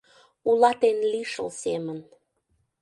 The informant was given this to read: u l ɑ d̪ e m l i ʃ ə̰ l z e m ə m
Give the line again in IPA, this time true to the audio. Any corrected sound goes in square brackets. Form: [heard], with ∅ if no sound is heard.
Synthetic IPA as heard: u l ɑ [t̪] e [n] l i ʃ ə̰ l [s] e m ə [n]